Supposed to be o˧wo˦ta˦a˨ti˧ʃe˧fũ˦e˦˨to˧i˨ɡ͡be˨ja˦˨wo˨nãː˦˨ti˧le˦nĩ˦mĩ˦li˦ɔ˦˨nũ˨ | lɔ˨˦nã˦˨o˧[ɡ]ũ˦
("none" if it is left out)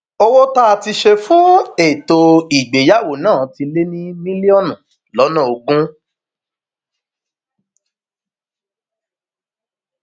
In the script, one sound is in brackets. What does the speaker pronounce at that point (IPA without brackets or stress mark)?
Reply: ɡ